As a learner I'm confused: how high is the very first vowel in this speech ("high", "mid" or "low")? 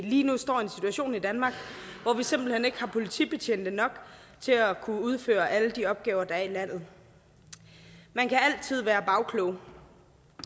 high